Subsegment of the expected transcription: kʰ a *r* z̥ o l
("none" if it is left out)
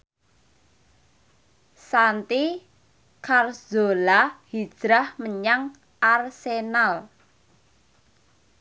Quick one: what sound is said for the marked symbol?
r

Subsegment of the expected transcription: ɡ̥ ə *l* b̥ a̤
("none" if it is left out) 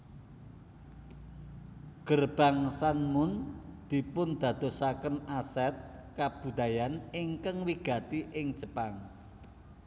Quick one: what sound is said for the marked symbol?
r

